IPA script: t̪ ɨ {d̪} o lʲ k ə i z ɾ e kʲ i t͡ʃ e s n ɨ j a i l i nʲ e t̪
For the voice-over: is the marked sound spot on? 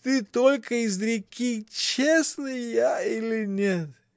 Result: no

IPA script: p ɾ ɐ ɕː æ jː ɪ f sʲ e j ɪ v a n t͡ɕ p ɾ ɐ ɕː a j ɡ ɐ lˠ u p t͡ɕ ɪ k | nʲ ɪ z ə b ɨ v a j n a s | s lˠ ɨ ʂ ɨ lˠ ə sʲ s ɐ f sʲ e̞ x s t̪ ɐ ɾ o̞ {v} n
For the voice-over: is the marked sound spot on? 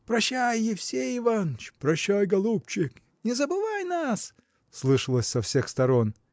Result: no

